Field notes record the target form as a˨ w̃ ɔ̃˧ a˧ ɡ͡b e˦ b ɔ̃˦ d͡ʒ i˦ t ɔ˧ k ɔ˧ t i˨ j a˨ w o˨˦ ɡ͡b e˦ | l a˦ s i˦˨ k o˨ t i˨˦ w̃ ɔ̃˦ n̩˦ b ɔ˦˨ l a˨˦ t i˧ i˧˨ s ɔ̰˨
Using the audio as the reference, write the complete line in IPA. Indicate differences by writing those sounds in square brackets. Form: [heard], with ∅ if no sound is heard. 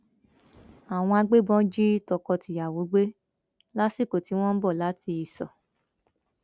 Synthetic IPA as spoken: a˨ w̃ ɔ̃˧ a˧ ɡ͡b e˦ b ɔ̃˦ d͡ʒ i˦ t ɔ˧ k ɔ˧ t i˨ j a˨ w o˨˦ ɡ͡b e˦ | l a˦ s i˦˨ k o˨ t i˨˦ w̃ ɔ̃˦ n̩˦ b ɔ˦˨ l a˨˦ t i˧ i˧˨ s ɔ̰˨